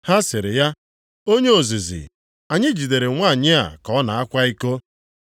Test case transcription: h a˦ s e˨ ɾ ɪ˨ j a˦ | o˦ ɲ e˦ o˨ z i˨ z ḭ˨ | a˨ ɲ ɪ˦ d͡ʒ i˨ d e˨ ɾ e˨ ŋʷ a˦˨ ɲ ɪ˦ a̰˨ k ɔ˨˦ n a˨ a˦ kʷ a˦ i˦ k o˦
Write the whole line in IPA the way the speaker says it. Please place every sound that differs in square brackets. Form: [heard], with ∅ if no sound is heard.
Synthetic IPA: h a˦ s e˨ ɾ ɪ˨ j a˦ | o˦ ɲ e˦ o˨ z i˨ z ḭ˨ | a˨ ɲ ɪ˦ d͡ʒ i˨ d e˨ ɾ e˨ ŋʷ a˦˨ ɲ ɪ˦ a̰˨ k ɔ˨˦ n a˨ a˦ kʷ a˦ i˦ k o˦